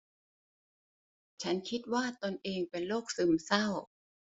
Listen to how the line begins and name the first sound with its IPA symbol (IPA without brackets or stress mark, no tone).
t͡ɕʰ